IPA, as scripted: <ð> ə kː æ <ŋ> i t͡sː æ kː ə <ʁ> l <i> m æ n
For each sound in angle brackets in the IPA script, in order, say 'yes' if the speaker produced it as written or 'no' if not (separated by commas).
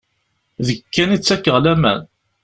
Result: yes, no, yes, no